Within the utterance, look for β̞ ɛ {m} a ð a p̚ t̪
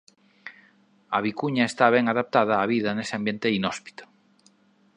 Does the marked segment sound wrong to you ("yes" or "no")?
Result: yes